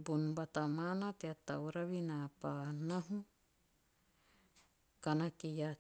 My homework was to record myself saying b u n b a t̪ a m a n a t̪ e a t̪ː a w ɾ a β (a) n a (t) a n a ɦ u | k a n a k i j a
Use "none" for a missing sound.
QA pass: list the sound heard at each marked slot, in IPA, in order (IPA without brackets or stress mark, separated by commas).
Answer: i, p